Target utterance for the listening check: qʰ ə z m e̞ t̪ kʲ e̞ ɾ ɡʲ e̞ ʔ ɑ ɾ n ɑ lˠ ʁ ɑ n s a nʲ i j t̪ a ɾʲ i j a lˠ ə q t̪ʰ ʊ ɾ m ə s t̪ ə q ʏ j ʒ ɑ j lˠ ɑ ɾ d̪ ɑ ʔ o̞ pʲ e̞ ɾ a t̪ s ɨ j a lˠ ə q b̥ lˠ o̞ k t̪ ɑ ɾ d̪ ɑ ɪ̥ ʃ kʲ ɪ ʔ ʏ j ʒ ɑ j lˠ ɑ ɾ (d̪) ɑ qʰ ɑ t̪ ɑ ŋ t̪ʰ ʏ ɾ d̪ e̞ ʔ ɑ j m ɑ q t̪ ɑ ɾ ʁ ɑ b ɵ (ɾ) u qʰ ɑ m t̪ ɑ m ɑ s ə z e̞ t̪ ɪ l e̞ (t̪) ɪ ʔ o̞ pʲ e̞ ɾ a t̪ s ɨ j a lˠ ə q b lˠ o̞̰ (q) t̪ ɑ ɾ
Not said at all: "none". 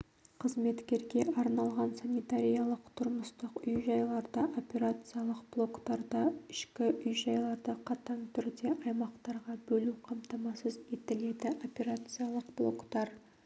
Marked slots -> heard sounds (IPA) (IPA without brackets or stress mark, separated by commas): d̪, l, d̪, k